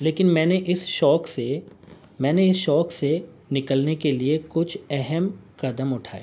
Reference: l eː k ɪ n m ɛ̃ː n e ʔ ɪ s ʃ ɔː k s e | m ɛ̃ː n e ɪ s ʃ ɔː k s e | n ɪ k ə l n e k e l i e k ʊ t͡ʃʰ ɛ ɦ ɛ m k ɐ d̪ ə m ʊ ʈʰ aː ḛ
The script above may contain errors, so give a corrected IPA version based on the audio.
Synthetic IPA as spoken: l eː k ɪ n m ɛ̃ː n e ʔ ɪ s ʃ ɔː k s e | m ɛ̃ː n e ɪ s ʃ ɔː k s e | n ɪ k ə l n e k e l i e k ʊ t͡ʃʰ ɛ ɦ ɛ m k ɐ d̪ ə m ʊ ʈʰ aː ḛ